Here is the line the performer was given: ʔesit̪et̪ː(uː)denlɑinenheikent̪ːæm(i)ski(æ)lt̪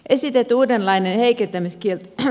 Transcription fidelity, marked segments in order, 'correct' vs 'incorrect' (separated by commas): correct, correct, incorrect